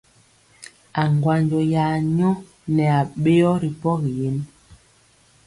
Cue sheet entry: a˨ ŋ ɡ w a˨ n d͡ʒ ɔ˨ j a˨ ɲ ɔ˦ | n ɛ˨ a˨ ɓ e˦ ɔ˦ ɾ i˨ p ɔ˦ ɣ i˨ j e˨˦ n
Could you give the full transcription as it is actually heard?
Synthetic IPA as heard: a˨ ŋ ɡ w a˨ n d͡ʒ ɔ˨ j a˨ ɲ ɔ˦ | n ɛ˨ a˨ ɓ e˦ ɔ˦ ɾ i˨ p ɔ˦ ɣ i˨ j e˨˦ n

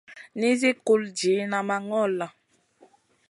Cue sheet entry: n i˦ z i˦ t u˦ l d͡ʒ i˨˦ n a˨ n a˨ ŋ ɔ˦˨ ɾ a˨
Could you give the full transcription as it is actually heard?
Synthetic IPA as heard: n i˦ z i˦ k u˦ l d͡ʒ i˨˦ n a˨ m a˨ ŋ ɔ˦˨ l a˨

